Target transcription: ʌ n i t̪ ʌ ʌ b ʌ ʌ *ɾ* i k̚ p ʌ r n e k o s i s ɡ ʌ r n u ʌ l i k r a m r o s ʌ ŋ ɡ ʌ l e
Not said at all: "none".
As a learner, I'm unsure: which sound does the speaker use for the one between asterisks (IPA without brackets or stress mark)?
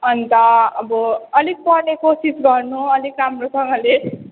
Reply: l